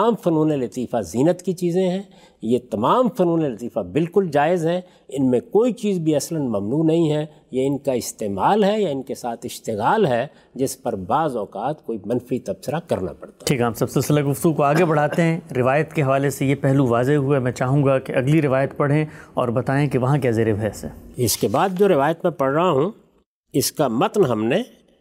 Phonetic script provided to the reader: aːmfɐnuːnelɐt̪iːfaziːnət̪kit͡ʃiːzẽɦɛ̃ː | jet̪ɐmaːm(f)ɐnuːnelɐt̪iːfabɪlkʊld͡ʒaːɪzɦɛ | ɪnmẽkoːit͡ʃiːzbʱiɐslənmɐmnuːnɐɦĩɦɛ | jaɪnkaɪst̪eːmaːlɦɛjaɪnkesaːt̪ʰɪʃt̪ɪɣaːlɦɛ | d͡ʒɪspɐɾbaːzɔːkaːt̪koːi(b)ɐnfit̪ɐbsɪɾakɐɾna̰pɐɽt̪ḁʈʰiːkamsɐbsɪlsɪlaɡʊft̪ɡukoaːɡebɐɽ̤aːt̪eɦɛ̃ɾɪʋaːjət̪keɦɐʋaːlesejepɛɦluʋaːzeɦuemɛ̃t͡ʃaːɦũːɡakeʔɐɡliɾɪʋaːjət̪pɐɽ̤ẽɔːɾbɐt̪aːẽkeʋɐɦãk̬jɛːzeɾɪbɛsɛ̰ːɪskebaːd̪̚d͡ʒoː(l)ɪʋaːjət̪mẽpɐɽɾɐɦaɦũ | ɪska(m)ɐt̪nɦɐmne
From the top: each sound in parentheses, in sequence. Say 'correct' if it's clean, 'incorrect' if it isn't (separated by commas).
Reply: correct, incorrect, incorrect, correct